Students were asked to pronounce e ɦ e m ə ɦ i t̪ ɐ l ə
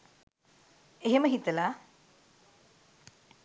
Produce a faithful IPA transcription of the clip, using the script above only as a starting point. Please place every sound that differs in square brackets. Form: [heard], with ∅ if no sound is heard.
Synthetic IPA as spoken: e ɦ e m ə ɦ i t̪ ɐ l [a]